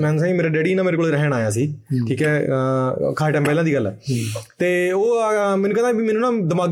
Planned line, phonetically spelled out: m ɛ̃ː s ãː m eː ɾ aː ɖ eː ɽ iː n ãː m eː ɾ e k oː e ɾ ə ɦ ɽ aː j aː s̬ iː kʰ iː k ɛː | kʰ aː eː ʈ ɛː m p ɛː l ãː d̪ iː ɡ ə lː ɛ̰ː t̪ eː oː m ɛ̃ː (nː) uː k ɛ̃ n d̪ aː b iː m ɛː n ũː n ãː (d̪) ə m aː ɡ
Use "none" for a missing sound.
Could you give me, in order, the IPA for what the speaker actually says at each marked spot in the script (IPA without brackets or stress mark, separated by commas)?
n, d̪